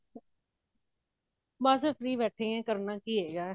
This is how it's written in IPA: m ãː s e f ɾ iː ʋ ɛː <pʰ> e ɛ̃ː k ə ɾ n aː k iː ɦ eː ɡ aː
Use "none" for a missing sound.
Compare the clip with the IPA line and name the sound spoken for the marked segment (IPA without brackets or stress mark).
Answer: ʈʰ